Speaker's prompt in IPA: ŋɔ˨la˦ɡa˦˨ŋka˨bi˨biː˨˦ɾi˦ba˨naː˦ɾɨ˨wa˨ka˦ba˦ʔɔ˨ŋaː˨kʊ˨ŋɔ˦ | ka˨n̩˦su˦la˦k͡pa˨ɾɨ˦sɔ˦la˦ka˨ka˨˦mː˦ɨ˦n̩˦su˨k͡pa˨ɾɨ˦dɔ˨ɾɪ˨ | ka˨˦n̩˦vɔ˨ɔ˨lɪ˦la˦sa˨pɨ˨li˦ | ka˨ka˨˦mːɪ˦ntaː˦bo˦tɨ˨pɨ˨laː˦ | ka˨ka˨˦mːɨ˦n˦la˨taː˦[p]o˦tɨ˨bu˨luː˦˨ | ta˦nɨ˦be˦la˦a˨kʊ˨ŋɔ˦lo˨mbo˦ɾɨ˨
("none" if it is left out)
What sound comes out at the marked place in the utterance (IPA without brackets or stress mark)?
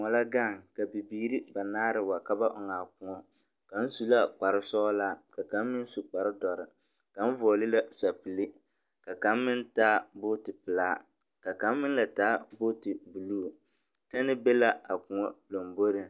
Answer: b